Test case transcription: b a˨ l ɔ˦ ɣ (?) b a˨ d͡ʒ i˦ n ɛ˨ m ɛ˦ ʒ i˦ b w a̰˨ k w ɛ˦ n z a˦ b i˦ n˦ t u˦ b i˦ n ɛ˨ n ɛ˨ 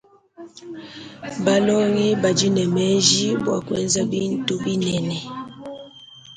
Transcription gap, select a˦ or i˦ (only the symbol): i˦